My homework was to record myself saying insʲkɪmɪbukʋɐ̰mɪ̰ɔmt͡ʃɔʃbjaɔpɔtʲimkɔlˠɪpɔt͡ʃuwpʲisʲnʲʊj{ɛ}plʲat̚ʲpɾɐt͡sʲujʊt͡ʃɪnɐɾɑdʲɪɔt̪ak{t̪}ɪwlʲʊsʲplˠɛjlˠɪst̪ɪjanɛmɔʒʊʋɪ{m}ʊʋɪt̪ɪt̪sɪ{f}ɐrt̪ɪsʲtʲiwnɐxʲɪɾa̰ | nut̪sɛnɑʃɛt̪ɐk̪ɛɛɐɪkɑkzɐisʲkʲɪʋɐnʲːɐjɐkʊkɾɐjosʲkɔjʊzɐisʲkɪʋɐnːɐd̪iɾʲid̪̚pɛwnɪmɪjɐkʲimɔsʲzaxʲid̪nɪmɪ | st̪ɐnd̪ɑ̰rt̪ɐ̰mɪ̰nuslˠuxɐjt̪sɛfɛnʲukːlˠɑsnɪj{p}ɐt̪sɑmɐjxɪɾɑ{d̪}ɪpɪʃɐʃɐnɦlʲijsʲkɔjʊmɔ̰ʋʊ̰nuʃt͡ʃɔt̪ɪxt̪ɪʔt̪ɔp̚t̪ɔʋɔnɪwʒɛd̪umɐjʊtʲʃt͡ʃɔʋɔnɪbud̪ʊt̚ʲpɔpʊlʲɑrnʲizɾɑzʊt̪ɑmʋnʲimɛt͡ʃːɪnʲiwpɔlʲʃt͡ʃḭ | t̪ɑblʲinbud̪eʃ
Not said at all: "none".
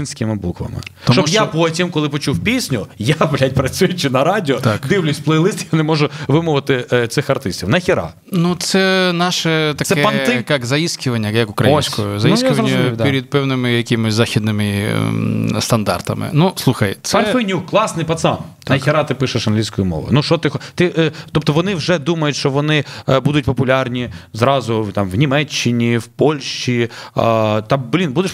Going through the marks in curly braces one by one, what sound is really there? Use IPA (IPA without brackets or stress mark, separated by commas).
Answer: a, d̪, m, x, p, t̪